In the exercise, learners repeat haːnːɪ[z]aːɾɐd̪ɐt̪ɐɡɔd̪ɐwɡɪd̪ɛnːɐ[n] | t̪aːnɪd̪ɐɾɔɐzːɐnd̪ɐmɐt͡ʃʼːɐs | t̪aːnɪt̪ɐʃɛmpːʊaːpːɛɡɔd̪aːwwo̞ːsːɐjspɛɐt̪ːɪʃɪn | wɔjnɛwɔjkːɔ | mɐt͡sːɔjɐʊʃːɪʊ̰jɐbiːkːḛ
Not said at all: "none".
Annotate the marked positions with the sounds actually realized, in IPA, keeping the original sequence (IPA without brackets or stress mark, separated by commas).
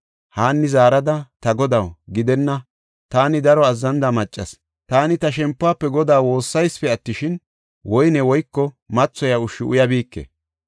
z, none